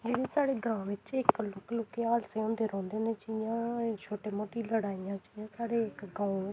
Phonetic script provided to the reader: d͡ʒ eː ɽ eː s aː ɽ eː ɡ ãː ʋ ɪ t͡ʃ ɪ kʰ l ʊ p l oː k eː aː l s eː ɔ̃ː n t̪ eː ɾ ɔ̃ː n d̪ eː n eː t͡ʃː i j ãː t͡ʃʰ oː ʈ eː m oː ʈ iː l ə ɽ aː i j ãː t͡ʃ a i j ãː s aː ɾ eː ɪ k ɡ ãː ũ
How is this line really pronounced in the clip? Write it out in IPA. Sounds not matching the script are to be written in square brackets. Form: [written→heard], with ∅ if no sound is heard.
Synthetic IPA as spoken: d͡ʒ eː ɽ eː s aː ɽ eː ɡ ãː ʋ ɪ t͡ʃ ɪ [kʰ→k] l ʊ [p→k] l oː k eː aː l s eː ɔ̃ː n [t̪→d̪] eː ɾ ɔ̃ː n d̪ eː n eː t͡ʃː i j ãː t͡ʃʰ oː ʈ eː m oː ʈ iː l ə ɽ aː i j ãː t͡ʃ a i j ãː s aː [ɾ→ɽ] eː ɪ k ɡ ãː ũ